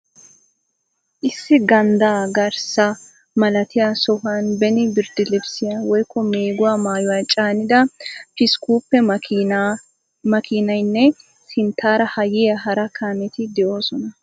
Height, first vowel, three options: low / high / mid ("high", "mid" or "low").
high